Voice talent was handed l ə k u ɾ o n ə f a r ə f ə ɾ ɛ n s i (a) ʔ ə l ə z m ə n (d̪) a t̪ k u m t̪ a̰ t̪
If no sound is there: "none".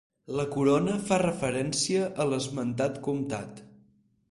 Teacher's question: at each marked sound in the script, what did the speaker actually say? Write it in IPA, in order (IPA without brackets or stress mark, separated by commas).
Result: ə, t̪